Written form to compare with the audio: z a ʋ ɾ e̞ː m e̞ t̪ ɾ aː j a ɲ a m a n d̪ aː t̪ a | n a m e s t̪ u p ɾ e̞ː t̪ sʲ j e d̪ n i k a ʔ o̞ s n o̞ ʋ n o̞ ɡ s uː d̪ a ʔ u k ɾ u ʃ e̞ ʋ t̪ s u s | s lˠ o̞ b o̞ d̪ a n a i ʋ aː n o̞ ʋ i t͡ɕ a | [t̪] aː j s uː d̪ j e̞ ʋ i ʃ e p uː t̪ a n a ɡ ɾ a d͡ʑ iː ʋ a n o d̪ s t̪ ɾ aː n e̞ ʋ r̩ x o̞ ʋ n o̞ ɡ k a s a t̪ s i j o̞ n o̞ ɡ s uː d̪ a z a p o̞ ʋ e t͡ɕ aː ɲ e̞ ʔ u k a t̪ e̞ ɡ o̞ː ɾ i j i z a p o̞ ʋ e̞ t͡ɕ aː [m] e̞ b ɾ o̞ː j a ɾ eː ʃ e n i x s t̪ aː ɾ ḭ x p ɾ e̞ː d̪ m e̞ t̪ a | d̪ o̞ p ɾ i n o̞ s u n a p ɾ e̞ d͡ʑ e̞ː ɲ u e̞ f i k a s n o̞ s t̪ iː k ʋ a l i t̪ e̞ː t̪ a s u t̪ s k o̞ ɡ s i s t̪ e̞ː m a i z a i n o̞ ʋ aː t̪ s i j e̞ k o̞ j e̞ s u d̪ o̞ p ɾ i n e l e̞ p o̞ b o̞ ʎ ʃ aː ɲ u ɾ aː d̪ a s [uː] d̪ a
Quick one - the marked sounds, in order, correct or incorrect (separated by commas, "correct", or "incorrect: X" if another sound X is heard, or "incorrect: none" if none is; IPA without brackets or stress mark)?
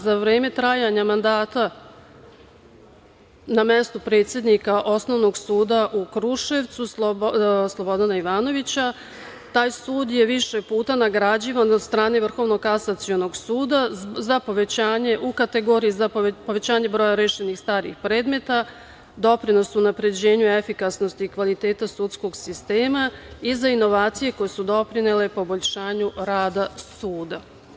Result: correct, incorrect: ɲ, correct